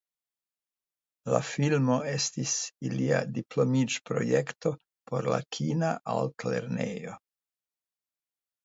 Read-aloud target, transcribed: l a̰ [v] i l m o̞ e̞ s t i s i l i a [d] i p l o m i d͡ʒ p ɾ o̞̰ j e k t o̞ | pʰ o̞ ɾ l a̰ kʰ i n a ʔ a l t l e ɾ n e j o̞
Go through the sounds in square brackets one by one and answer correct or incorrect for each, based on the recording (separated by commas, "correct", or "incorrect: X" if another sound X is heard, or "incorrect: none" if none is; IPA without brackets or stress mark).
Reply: incorrect: f, correct